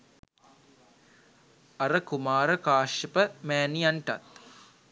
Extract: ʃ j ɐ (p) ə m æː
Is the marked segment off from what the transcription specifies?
no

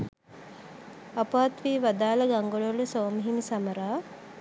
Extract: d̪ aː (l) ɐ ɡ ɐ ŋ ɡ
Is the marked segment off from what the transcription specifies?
no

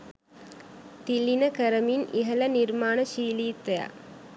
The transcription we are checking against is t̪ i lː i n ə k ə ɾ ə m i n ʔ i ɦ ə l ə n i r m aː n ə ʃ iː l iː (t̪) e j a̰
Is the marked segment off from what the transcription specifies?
no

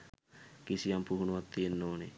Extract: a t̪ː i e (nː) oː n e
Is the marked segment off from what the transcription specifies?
no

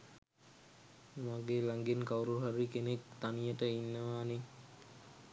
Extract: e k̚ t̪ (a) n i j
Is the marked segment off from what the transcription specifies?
no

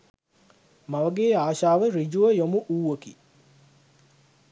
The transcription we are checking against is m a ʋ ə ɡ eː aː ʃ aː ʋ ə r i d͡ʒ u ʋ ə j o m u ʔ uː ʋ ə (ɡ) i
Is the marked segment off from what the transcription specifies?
yes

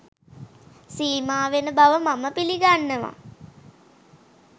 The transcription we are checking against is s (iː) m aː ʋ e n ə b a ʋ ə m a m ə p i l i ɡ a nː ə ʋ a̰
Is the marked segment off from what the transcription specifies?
no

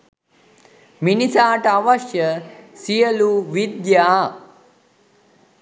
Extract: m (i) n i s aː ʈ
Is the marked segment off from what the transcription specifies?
no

